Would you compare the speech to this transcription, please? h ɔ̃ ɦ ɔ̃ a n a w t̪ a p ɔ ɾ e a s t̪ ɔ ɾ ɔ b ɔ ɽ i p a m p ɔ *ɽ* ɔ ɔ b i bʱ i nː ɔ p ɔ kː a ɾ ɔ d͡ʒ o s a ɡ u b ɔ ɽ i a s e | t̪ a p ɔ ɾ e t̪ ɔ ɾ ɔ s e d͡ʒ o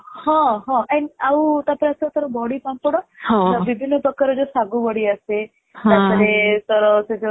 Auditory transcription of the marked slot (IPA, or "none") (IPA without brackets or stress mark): ɽ